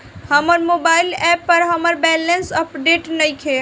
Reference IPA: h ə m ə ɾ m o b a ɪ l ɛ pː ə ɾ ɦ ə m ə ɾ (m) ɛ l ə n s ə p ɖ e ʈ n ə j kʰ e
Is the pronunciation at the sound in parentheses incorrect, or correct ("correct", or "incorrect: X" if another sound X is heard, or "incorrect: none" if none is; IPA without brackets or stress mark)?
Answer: incorrect: b